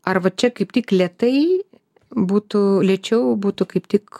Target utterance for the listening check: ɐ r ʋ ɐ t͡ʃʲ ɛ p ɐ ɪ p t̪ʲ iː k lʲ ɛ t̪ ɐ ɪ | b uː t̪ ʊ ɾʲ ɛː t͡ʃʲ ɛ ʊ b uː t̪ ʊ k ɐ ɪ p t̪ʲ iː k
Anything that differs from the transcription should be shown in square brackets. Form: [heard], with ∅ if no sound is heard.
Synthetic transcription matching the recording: ɐ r ʋ ɐ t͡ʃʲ ɛ [k] ɐ ɪ p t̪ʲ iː k lʲ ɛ t̪ ɐ ɪ | b uː t̪ ʊ [lʲ] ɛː t͡ʃʲ ɛ ʊ b uː t̪ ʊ k ɐ ɪ p t̪ʲ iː k